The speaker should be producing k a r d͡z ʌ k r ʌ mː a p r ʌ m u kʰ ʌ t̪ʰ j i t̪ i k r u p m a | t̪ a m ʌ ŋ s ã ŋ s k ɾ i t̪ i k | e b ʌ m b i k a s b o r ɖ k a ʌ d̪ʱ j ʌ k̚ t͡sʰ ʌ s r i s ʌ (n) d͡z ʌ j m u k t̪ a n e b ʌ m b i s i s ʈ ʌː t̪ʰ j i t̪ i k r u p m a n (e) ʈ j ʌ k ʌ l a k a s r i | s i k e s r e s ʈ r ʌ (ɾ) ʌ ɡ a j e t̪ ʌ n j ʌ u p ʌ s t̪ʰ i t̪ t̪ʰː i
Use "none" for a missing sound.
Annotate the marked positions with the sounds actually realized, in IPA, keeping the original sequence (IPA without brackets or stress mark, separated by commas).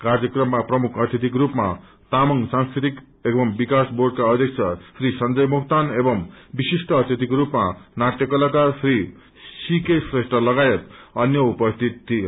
n, a, l